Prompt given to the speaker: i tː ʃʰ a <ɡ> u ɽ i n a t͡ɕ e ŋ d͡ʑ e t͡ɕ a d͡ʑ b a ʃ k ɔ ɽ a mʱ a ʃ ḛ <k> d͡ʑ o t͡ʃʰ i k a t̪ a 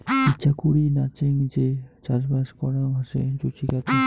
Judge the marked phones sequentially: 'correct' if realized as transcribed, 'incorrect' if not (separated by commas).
incorrect, incorrect